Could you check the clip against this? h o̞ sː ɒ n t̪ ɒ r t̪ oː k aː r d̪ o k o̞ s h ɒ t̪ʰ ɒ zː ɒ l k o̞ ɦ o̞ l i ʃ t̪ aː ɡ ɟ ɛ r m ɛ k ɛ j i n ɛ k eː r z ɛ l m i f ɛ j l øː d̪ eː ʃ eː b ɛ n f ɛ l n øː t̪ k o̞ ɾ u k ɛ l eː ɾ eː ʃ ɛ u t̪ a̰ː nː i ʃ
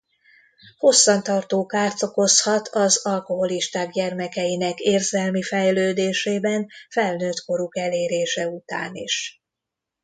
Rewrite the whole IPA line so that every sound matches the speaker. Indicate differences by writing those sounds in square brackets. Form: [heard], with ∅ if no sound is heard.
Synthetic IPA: h o̞ sː ɒ n t̪ ɒ r t̪ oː k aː r [t̪] o k o̞ s h ɒ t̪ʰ ɒ [z] ɒ l k o̞ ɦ o̞ l i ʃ t̪ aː ɡ ɟ ɛ r m ɛ k ɛ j i n ɛ k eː r z ɛ l m i f ɛ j l øː d̪ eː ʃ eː b ɛ n f ɛ l n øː t̪ k o̞ ɾ u k ɛ l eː ɾ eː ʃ ɛ u t̪ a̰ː [n] i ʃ